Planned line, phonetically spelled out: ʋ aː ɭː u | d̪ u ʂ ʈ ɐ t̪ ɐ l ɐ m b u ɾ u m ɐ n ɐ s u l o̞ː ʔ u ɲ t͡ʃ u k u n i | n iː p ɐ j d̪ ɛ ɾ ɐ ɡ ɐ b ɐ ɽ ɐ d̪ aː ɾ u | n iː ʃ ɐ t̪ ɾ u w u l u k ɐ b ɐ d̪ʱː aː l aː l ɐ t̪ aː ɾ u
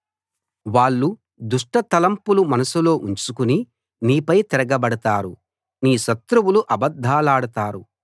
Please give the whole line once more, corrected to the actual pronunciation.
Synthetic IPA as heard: ʋ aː ɭː u | d̪ u ʂ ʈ ɐ t̪ ɐ l ɐ m p u l u m ɐ n ɐ s u l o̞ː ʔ u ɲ t͡ʃ u k u n i | n iː p ɐ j t̪ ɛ ɾ ɐ ɡ ɐ b ɐ ɽ ɐ t̪ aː ɾ u | n iː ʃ ɐ t̪ ɾ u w u l u ʔ ɐ b ɐ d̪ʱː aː l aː ɽ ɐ t̪ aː ɾ u

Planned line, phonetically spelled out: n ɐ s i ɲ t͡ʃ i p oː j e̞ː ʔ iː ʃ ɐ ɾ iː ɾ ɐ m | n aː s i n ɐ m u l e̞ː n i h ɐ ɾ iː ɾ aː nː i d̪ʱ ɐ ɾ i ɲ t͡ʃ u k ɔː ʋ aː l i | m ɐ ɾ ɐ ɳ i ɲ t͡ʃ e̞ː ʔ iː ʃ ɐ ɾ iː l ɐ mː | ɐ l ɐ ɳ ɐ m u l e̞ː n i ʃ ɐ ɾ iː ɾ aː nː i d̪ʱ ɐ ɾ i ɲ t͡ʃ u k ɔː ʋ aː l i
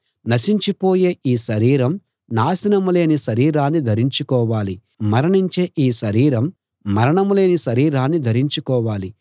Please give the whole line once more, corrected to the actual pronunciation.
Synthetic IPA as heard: n ɐ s i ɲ t͡ʃ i p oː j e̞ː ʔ iː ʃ ɐ ɾ iː ɾ ɐ m | n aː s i n ɐ m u l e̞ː n i ʃ ɐ ɾ iː ɾ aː nː i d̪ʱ ɐ ɾ i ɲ t͡ʃ u k ɔː ʋ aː l i | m ɐ ɾ ɐ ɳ i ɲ t͡ʃ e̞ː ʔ iː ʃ ɐ ɾ iː ɾ ɐ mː | ɐ ɾ ɐ ɳ ɐ m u l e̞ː n i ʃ ɐ ɾ iː ɾ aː nː i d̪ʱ ɐ ɾ i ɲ t͡ʃ u k ɔː ʋ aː l i

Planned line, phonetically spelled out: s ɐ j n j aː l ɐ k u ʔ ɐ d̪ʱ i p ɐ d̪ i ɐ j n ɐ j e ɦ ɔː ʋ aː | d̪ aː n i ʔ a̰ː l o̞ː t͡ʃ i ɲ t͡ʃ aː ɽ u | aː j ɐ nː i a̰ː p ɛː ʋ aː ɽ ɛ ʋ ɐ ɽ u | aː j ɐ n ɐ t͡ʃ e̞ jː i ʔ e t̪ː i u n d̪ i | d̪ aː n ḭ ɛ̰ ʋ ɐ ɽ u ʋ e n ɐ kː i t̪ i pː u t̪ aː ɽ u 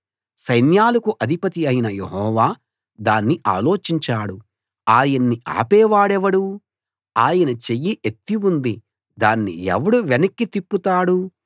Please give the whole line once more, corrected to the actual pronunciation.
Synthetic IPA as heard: s ɐ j n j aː l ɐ k u ʔ ɐ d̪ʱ i p ɐ t̪ i ɐ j n ɐ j e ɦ ɔː ʋ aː | d̪ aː nː i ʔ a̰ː l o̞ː t͡ʃ i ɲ t͡ʃ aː ɽ u | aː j ɐ nː i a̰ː p ɛː ʋ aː ɽ ɛ ʋ ɐ ɽ u | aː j ɐ n ɐ t͡ʃ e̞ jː i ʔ e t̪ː i u n d̪ i | d̪ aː nː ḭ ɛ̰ ʋ ɐ ɽ u ʋ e n ɐ kː i t̪ i pː u t̪ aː ɽ u

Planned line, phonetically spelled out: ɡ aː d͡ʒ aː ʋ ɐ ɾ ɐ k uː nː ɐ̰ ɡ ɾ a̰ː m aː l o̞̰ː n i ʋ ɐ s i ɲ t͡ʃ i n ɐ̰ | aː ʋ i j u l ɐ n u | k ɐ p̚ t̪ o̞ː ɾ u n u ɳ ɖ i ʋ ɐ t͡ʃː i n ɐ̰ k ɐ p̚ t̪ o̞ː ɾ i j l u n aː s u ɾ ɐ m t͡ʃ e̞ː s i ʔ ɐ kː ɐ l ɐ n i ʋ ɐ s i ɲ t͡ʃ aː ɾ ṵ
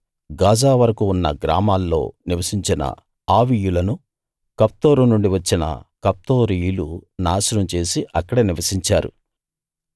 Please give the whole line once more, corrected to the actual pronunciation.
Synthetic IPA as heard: ɡ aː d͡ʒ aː ʋ ɐ ɾ ɐ k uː nː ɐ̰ ɡ ɾ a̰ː m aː lː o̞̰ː n i ʋ ɐ s i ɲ t͡ʃ i n ɐ̰ | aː ʋ i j u l ɐ n u | k ɐ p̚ t̪ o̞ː ɾ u n u ɳ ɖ i ʋ ɐ t͡ʃː i n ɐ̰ k ɐ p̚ t̪ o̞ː ɾ i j l u n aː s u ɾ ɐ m t͡ʃ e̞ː s i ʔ ɐ kː ɐ ɽ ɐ n i ʋ ɐ s i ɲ t͡ʃ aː ɾ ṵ

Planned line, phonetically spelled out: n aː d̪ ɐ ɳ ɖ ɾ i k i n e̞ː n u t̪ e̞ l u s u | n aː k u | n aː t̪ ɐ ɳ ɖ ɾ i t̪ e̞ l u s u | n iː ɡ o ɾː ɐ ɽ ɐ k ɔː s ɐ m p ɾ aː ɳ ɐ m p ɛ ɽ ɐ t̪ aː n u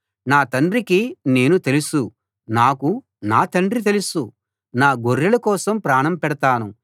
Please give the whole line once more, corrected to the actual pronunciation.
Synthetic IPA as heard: n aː t̪ ɐ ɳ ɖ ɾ i k i n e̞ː n u t̪ e̞ l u s u | n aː k u | n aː t̪ ɐ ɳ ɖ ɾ i t̪ e̞ l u s u | n aː ɡ o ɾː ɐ l ɐ k ɔː s ɐ m p ɾ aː ɳ ɐ m p ɛ ɽ ɐ t̪ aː n u

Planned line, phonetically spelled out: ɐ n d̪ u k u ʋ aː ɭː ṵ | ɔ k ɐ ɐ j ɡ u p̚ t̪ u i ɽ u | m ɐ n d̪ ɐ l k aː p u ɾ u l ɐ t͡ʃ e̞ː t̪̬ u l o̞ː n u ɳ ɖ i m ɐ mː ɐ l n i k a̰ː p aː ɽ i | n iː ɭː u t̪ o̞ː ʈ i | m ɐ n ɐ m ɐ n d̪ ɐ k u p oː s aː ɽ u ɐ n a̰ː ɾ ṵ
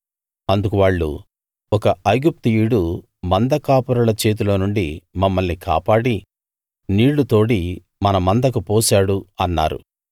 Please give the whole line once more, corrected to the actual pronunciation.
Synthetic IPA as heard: ɐ n d̪ u k u ʋ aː ɭː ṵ | ɔ k ɐ ɐ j ɡ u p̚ t̪ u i ɽ u | m ɐ n d̪ ɐ k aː p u ɾ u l ɐ t͡ʃ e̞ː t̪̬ u l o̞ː n u ɳ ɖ i m ɐ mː ɐ l n i k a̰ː p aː ɽ i | n iː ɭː u t̪ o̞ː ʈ i | m ɐ n ɐ m ɐ n d̪ ɐ k u p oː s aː ɽ u ɐ nː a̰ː ɾ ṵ

